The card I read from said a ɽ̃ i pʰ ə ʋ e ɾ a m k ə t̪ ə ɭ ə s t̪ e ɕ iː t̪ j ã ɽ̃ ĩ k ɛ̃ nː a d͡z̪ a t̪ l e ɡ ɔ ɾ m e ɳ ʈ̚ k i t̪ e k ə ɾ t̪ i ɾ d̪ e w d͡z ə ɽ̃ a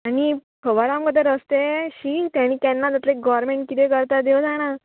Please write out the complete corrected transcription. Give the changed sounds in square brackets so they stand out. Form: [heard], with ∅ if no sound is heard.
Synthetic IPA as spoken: a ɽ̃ i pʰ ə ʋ [a] ɾ a m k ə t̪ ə [ɾ] ə s t̪ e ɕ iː t̪ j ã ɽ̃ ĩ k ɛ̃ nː a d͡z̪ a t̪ l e ɡ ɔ ɾ m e ɳ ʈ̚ k i t̪ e k ə ɾ t̪ [a] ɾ d̪ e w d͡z [a] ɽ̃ a